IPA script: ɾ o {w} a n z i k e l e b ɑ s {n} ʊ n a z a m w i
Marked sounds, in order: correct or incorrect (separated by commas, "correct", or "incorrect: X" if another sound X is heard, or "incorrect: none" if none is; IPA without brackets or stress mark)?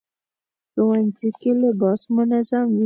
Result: correct, incorrect: m